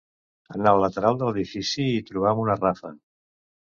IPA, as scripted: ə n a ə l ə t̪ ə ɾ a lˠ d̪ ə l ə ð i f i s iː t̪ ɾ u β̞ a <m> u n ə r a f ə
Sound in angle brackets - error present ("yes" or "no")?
no